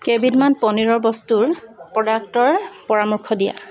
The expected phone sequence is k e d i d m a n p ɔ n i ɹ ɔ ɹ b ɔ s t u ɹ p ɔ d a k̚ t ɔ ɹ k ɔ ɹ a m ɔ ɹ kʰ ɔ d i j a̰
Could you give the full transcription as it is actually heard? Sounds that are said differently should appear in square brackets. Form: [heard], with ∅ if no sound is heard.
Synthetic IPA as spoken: k e [b] i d m a n p ɔ n i ɹ ɔ ɹ b ɔ s t u ɹ p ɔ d a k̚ t ɔ ɹ [p] ɔ ɹ a m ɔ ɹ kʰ ɔ d i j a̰